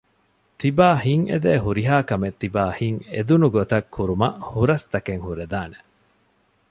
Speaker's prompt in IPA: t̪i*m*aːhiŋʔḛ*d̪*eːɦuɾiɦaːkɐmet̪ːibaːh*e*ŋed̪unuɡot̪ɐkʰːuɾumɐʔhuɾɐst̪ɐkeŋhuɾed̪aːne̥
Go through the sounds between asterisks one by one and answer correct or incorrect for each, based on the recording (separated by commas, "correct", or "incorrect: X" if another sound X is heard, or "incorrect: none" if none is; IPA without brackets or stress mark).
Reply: incorrect: b, correct, incorrect: i